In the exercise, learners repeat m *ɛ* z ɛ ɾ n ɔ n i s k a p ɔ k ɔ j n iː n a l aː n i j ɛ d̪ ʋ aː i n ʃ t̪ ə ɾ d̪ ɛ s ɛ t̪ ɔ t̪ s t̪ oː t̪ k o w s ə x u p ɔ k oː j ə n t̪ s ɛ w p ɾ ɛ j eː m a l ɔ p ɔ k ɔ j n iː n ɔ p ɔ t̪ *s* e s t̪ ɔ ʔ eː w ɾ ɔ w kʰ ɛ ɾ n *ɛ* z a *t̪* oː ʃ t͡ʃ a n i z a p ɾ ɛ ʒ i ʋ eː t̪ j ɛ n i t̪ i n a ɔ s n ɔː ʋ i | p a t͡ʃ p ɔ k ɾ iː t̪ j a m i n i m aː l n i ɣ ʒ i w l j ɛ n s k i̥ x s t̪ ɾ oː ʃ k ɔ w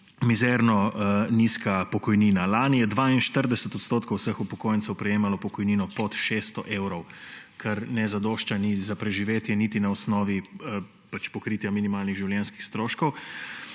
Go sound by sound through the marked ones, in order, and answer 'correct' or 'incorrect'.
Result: incorrect: i, incorrect: ʃ, correct, incorrect: d̪

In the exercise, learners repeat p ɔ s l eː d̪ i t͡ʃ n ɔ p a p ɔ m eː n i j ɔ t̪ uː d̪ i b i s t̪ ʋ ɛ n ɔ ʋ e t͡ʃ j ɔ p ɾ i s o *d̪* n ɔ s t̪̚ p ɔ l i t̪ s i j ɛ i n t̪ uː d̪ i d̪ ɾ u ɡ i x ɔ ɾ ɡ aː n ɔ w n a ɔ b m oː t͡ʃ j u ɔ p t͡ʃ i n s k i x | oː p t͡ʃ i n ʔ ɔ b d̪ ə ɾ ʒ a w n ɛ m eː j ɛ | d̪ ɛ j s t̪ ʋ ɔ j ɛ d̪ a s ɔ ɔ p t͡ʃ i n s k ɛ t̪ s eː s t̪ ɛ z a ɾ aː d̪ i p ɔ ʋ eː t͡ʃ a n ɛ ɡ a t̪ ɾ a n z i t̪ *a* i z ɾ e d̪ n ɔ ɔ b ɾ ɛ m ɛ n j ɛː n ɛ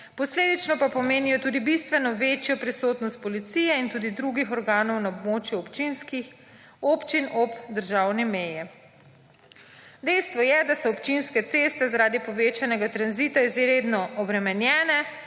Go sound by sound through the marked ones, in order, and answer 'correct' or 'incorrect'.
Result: incorrect: t̪, correct

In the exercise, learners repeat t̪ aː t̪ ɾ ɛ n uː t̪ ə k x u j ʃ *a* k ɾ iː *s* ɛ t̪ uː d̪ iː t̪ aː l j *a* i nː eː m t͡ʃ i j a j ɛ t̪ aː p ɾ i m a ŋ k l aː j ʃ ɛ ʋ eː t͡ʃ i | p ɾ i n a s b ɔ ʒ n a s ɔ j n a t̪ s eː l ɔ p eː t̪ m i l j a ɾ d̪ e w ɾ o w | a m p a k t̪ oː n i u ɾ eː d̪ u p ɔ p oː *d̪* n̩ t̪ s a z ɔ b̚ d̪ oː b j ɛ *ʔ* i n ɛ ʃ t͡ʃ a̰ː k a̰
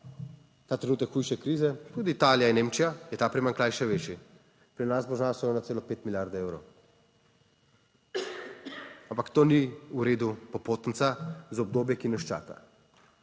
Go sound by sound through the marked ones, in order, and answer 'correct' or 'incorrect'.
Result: incorrect: ɛ, incorrect: z, correct, incorrect: t̪, incorrect: k

